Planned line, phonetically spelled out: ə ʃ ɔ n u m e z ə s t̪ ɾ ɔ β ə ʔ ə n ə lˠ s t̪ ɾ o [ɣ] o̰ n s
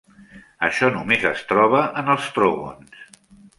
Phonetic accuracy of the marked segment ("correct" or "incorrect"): correct